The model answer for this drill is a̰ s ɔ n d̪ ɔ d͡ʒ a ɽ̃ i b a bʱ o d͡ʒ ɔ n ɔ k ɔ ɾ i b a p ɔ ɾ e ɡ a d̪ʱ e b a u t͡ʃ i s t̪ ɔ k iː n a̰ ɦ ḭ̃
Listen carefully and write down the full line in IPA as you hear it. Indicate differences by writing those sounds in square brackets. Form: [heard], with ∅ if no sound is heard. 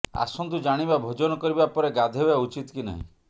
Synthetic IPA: a̰ s ɔ n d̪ [u] d͡ʒ a ɽ̃ i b a bʱ o d͡ʒ ɔ n ɔ k ɔ ɾ i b a p ɔ ɾ e ɡ a d̪ʱ e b a u t͡ʃ i [∅] t̪ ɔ k [i] n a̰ ɦ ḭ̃